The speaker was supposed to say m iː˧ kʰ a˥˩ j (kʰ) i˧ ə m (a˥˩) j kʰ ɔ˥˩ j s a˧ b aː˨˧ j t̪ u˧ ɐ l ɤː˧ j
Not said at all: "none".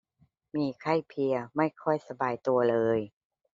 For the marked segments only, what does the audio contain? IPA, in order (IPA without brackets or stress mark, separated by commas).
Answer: pʰ, a˥˩